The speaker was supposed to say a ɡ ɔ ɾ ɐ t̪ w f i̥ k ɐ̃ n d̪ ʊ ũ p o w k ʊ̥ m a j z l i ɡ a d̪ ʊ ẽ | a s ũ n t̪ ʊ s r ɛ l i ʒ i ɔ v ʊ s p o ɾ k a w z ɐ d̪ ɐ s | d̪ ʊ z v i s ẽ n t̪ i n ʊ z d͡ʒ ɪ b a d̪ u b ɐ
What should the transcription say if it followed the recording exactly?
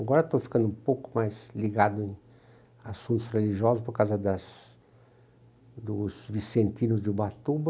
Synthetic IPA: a ɡ ɔ ɾ ɐ t̪ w f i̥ k ɐ̃ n d̪ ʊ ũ p o w k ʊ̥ m a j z l i ɡ a d̪ ʊ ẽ | a s ũ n t̪ ʊ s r e l i ʒ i ɔ z ʊ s p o ɾ k a w z ɐ d̪ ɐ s | d̪ ʊ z v i s ẽ n t̪ i n ʊ z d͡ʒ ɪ b a t̪ u b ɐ